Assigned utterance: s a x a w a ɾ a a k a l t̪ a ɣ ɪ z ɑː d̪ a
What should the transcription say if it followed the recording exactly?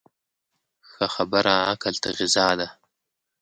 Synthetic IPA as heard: x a x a b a ɾ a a k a l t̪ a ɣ ɪ z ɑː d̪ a